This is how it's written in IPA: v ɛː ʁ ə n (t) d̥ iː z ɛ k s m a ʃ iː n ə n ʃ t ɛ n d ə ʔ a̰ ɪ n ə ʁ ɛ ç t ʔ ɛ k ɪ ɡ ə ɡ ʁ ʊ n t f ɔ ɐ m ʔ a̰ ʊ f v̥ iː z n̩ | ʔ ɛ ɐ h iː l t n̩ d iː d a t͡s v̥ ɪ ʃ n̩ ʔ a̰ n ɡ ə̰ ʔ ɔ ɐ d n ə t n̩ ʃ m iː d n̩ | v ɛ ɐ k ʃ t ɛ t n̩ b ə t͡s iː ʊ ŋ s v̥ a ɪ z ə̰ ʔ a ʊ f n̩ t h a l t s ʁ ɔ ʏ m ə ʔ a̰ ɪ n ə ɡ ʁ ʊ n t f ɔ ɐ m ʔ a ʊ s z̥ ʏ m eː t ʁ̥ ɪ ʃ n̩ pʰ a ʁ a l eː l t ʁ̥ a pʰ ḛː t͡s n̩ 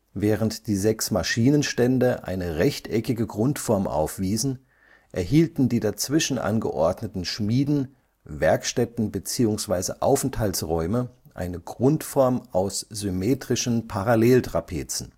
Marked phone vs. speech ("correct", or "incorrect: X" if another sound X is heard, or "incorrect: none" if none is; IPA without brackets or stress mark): correct